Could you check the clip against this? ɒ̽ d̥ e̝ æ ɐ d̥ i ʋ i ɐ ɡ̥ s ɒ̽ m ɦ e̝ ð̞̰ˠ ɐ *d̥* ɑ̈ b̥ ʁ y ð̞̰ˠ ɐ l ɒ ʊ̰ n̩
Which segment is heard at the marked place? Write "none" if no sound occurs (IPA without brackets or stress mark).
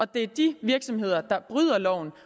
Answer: d̥